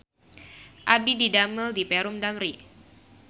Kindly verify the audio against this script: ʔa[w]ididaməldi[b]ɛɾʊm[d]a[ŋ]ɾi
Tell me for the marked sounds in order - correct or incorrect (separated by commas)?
incorrect, incorrect, correct, incorrect